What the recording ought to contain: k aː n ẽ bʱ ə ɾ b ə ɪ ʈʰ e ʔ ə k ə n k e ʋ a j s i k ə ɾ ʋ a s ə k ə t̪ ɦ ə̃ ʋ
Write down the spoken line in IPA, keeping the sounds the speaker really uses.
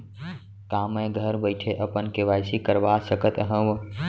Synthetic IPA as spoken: k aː m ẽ ɡʱ ə ɾ b ə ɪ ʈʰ e ʔ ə p ə n k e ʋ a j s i k ə ɾ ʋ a s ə k ə t̪ ɦ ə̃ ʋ